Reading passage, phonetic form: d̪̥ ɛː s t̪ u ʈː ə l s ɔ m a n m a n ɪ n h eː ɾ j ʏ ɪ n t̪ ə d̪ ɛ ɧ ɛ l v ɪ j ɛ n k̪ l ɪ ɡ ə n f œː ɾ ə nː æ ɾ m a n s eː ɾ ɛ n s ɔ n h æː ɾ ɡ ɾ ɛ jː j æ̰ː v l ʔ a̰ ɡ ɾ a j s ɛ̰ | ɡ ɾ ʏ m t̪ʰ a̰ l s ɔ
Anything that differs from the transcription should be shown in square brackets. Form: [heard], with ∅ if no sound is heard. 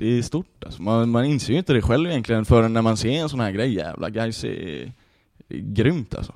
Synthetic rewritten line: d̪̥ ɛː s t̪ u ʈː [a] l s ɔ m a n m a n ɪ n [s] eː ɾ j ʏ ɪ n t̪ ə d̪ ɛ ɧ ɛ l v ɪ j ɛ n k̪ l ɪ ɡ ə n f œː ɾ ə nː æ ɾ m a n s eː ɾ ɛ n s ɔ n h æː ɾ ɡ ɾ ɛ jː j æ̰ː v l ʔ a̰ ɡ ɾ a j s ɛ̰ | ɡ ɾ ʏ m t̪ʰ a̰ l s ɔ